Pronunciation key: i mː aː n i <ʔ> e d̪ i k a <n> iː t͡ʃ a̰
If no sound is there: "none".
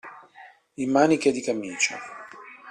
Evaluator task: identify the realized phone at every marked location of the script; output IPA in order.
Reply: k, m

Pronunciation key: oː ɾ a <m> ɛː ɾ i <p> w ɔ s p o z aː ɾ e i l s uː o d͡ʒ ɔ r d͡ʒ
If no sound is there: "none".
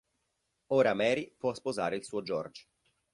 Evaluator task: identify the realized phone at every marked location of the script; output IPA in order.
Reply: m, p

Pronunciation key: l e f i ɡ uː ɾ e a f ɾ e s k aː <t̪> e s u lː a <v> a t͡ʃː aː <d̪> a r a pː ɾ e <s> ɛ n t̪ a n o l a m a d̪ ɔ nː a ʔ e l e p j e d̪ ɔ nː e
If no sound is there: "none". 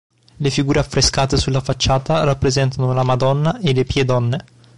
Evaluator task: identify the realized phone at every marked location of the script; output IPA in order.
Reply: t̪, f, t̪, z

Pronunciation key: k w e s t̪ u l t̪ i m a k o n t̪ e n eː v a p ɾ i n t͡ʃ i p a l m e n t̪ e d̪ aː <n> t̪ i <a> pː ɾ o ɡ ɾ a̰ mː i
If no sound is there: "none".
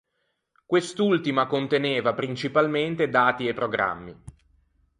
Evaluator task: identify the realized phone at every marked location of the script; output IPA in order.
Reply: none, e

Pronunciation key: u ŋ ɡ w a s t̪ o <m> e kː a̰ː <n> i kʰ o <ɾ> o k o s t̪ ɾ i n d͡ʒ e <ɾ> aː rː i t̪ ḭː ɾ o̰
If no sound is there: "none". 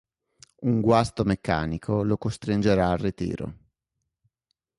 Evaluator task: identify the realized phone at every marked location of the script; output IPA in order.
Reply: m, n, l, ɾ

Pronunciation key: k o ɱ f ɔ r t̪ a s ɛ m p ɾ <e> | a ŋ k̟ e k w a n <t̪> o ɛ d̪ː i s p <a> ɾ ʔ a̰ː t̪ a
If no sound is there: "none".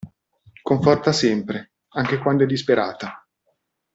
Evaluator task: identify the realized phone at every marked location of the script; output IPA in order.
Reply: e, d̪, e

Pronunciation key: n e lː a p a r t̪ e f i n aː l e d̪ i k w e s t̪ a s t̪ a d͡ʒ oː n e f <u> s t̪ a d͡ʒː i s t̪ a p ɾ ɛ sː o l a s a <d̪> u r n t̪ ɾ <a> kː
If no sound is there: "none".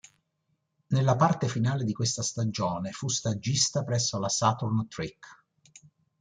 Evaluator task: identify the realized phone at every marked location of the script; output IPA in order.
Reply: u, t̪, i

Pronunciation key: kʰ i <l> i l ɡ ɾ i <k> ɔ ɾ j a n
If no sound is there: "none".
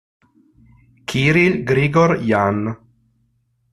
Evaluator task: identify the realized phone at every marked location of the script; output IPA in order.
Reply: ɾ, ɡ

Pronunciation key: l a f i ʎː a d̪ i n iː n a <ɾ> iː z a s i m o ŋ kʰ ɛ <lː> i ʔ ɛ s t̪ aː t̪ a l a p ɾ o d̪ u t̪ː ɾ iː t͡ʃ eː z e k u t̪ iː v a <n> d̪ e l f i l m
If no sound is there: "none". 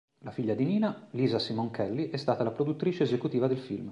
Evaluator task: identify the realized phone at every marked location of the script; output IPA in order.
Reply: l, lː, none

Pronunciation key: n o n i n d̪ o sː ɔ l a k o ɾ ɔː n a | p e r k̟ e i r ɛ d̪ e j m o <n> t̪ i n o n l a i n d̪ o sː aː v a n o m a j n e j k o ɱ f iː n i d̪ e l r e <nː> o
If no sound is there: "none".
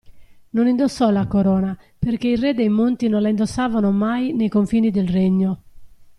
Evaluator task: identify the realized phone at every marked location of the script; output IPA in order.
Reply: n, ɲː

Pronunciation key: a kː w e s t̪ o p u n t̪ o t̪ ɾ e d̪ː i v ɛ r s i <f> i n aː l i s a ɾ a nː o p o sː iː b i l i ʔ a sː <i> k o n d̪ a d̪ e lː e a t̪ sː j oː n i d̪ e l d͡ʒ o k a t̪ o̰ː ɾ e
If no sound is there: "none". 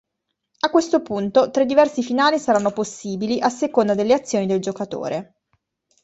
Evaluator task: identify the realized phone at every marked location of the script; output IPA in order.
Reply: f, e

